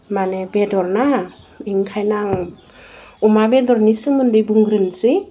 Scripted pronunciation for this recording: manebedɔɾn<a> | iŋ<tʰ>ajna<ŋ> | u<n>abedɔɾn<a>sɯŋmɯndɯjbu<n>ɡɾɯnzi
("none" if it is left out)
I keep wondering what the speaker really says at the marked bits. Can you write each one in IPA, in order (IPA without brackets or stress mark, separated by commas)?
a, kʰ, ŋ, m, i, ŋ